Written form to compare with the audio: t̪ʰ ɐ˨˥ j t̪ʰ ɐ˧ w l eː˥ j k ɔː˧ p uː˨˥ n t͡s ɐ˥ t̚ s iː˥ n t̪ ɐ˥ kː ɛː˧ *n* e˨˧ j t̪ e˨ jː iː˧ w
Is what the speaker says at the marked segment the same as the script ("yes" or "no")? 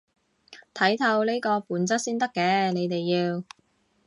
yes